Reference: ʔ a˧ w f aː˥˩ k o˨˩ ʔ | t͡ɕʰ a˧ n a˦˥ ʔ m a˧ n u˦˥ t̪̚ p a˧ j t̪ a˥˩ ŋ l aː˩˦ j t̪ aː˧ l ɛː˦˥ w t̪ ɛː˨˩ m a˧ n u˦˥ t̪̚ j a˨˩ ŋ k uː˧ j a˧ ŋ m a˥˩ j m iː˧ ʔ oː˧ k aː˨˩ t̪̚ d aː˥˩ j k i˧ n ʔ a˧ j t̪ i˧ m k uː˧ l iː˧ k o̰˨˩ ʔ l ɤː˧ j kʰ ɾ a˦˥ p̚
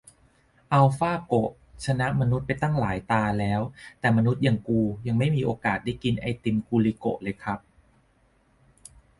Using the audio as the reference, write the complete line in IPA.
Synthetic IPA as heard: ʔ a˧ w f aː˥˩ k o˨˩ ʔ | t͡ɕʰ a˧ n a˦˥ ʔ m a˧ n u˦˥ t̪̚ p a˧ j t̪ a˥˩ ŋ l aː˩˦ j t̪ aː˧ l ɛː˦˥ w t̪ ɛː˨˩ m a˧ n u˦˥ t̪̚ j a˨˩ ŋ k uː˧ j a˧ ŋ m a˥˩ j m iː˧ ʔ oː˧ k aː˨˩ t̪̚ d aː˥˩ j k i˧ n ʔ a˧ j t̪ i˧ m k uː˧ l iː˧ k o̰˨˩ ʔ l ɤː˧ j kʰ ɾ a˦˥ p̚